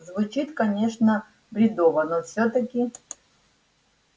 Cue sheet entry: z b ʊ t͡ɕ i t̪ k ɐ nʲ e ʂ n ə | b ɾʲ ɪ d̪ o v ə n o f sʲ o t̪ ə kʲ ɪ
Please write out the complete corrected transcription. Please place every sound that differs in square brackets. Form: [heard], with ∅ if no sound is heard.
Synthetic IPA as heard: z [v] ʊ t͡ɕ i t̪ k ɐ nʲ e ʂ n ə | b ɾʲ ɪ d̪ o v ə n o f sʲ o t̪ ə kʲ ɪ